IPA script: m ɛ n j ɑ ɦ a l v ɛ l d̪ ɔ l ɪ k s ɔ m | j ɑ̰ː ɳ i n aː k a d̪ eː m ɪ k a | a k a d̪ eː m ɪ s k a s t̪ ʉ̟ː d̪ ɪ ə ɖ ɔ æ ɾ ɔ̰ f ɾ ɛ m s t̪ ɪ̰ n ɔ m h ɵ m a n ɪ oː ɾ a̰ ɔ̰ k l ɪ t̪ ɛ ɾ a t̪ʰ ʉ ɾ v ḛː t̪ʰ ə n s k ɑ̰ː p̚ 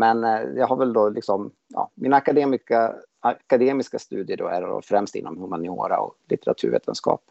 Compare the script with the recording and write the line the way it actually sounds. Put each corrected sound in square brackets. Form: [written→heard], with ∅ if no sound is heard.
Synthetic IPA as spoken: m ɛ n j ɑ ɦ a [l→ɾ] v ɛ l d̪ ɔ l ɪ k s ɔ m | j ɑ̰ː [ɳ→m] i n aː k a d̪ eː m ɪ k a | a k a d̪ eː m ɪ s k a s t̪ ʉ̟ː d̪ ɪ ə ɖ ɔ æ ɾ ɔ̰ f ɾ ɛ m s t̪ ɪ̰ [n→nː] ɔ m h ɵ m a n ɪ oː ɾ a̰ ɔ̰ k l ɪ t̪ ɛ ɾ a t̪ʰ ʉ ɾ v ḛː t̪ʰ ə n s k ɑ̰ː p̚